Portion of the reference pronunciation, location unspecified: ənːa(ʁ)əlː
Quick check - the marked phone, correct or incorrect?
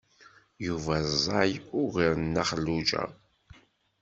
incorrect